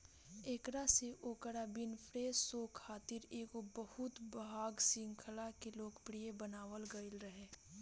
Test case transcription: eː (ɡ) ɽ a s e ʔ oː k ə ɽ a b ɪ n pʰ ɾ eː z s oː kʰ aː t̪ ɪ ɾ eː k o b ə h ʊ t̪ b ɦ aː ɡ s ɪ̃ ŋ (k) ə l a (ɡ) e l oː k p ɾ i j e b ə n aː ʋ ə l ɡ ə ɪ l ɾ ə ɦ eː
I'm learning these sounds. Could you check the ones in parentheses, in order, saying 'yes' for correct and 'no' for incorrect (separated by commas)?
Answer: no, no, no